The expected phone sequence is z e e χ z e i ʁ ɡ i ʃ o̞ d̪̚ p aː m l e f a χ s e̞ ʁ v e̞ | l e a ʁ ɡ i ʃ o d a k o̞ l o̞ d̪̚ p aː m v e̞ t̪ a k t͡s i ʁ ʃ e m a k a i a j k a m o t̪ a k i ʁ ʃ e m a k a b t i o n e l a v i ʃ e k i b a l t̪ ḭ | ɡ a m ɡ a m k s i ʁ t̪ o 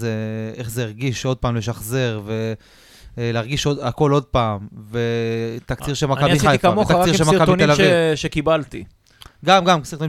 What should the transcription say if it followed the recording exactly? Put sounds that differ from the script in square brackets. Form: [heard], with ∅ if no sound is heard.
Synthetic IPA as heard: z e e χ z e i ʁ ɡ i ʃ o̞ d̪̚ p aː m l e [ʃ] a χ [z] e̞ ʁ v e̞ | l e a ʁ ɡ i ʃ o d a k o̞ l o̞ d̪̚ p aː m v e̞ t̪ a k t͡s i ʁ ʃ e m a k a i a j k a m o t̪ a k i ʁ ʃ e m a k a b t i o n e l a v i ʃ e k i b a l t̪ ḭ | ɡ a m ɡ a m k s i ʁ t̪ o